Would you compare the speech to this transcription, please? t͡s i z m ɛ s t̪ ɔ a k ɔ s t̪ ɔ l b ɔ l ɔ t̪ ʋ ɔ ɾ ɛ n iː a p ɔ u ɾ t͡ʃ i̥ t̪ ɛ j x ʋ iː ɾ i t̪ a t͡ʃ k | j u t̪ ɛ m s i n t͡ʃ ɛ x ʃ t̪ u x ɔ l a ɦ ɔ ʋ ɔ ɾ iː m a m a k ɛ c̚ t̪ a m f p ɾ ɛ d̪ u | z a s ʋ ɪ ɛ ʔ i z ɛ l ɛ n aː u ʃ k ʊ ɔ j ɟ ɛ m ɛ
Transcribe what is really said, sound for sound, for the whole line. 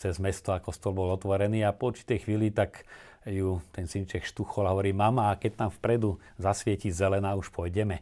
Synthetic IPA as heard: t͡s ɛ z m ɛ s t̪ ɔ a k ɔ s t̪ ɔ l b ɔ l ɔ t̪ ʋ ɔ ɾ ɛ n iː a p ɔ u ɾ t͡ʃ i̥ t̪ ɛ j x ʋ iː l i t̪ a k | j u t̪ ɛ n s i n t͡ʃ ɛ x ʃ t̪ u x ɔ l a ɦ ɔ ʋ ɔ ɾ iː m a m a k ɛ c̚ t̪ a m f p ɾ ɛ d̪ u | z a s ʋ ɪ ɛ c i z ɛ l ɛ n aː u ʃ p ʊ ɔ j ɟ ɛ m ɛ